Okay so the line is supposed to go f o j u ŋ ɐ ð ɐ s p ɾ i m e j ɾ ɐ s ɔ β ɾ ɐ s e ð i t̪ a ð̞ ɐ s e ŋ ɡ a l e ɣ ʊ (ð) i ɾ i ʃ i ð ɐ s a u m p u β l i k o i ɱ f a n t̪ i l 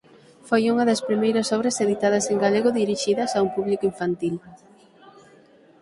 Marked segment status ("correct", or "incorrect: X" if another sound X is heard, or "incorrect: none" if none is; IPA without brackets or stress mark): correct